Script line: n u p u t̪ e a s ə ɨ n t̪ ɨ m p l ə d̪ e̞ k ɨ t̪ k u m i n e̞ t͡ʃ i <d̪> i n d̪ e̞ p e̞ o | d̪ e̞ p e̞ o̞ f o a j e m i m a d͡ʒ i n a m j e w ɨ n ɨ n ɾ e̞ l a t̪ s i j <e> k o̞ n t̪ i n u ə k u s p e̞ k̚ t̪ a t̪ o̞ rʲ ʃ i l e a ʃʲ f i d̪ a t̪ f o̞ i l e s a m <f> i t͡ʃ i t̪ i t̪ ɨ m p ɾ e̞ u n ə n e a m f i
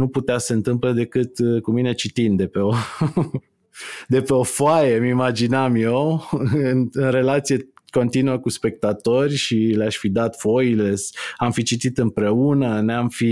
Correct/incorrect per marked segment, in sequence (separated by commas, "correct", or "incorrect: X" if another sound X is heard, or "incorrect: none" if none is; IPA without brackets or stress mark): incorrect: t̪, correct, correct